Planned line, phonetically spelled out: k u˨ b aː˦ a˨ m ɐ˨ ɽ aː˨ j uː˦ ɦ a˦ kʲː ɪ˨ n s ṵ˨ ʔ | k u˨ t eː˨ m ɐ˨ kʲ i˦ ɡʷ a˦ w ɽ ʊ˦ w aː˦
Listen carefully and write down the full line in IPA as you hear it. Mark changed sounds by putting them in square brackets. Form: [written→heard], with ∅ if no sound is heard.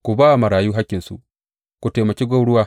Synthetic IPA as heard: k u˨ b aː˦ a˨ m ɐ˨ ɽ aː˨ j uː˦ ɦ a˦ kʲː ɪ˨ n s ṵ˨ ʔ | k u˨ t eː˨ m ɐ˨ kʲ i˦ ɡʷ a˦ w ɽ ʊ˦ w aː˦